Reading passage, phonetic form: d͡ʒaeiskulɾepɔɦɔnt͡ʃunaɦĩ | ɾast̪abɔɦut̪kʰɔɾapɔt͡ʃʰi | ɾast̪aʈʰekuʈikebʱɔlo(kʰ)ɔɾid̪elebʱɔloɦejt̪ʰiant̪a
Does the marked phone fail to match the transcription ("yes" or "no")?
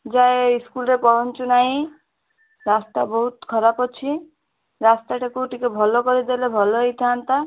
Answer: yes